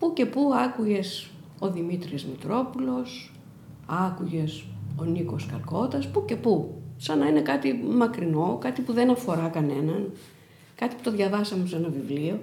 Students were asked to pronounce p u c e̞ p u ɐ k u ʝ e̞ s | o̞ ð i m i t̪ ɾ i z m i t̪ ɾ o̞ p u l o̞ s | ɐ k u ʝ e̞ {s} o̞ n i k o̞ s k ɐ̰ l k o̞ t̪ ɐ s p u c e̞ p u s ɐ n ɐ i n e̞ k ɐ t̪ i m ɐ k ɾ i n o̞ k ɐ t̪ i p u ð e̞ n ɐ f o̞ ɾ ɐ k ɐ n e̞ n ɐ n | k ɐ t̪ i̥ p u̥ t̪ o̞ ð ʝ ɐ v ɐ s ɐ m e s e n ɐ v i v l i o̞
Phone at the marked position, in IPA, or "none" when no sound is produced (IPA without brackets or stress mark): s